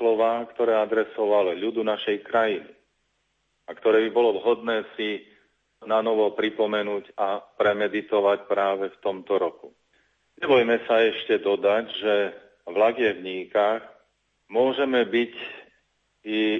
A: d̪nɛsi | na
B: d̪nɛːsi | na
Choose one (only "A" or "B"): B